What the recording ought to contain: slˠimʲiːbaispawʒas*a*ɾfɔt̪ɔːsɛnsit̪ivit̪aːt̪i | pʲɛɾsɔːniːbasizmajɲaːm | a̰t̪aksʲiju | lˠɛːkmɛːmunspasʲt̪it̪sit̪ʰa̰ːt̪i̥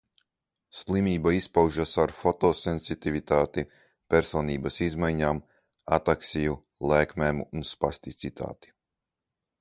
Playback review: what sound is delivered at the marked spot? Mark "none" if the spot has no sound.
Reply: a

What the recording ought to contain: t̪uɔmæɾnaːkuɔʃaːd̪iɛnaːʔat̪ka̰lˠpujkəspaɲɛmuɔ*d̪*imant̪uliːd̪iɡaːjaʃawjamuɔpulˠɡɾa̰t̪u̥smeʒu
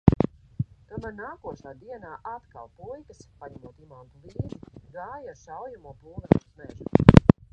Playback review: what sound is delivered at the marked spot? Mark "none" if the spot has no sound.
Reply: t̪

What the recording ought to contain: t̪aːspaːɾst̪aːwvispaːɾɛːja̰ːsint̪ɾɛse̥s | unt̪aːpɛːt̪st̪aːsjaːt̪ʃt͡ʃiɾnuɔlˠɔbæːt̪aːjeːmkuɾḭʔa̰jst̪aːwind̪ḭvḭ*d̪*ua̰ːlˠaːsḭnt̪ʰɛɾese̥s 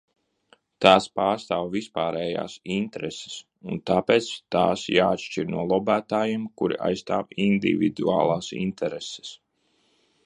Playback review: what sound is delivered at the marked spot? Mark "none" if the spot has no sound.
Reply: d̪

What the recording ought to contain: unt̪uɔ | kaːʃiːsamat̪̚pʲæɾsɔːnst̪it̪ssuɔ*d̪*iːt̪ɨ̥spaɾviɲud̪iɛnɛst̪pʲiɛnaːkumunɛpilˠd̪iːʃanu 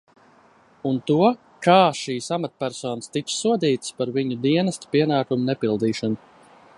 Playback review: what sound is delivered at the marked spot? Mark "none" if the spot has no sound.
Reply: d̪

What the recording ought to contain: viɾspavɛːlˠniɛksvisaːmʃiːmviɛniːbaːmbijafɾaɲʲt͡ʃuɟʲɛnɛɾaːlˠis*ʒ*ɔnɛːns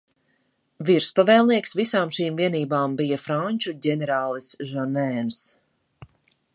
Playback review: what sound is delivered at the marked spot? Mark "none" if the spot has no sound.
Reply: ʒ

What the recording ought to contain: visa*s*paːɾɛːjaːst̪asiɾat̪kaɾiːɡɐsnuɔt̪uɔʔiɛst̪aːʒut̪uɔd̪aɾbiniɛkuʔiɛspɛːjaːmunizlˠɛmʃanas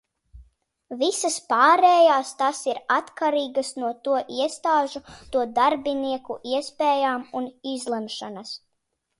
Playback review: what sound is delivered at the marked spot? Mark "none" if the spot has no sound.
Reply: s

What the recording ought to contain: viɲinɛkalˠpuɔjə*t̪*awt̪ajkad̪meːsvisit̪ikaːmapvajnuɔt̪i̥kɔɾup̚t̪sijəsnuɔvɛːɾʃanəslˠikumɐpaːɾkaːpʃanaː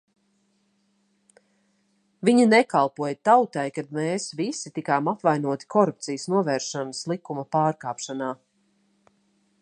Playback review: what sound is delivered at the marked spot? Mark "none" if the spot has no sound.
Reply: t̪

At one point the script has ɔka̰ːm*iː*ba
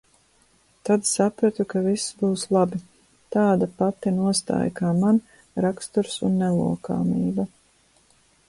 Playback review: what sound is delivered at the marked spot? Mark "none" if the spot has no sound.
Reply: iː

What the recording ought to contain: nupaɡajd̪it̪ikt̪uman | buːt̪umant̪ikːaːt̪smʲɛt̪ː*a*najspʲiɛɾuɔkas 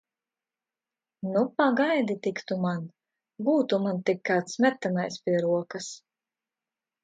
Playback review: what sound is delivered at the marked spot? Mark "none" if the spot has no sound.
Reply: a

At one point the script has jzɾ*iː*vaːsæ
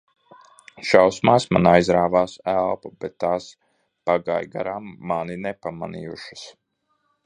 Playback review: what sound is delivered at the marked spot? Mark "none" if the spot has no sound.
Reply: aː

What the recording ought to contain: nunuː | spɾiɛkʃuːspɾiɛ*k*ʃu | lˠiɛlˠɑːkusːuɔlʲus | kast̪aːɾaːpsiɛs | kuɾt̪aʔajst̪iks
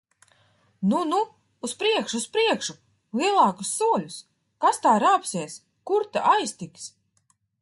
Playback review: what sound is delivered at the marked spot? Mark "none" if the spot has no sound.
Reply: k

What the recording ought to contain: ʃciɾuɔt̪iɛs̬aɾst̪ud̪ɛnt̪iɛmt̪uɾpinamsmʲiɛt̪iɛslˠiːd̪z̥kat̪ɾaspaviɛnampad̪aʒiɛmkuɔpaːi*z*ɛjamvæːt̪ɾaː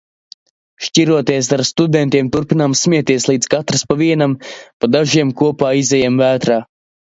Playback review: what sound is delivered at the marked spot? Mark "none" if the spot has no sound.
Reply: z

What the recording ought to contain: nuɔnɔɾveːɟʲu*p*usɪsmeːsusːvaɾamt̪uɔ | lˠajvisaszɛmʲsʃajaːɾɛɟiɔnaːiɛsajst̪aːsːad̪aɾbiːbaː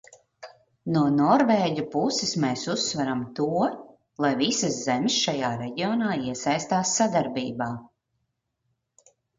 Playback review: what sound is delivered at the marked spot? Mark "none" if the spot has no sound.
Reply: p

